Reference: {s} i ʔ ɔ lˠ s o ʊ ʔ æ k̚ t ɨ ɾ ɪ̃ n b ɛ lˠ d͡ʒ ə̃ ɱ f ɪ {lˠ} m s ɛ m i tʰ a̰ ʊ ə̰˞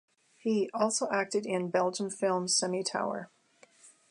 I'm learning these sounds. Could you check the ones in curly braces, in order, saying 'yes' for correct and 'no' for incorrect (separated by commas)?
no, yes